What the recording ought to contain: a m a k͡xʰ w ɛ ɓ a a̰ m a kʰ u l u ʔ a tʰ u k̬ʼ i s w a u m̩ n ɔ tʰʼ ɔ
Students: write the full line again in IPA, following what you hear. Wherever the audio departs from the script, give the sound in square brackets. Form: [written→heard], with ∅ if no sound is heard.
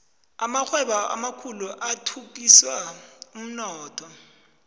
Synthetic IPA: a m a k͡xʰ w ɛ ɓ a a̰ m a kʰ u l u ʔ a tʰ u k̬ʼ i s w a u m̩ n [ɔ→ɔː] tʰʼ ɔ